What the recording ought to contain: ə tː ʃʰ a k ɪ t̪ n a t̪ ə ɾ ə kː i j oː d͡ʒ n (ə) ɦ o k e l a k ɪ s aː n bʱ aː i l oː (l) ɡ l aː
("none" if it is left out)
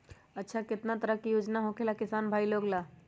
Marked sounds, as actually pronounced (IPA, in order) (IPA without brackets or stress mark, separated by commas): a, none